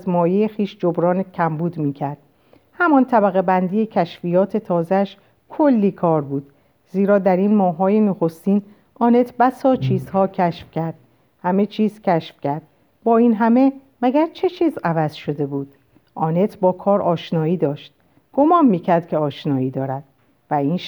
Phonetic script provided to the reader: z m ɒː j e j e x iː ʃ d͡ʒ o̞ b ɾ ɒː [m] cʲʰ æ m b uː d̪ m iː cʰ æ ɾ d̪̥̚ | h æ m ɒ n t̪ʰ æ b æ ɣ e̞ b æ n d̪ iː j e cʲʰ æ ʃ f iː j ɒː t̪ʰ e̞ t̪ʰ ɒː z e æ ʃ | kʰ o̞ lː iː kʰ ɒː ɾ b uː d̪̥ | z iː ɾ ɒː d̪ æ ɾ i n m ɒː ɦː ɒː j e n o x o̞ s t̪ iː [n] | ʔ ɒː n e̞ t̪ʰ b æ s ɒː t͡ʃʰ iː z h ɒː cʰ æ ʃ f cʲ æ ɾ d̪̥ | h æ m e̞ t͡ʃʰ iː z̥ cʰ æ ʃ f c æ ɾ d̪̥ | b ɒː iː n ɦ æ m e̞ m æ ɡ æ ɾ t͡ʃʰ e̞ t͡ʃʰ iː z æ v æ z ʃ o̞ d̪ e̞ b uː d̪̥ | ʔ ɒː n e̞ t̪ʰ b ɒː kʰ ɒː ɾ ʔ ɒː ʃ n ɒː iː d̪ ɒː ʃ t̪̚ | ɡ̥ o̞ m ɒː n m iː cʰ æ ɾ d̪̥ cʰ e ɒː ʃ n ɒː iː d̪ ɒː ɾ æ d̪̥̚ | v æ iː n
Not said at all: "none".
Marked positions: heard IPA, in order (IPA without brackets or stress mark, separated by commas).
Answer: n, n